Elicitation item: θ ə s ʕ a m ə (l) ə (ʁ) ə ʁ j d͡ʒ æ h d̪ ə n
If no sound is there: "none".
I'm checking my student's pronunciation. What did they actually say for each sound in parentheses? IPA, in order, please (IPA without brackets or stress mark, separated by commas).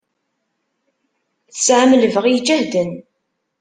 l, v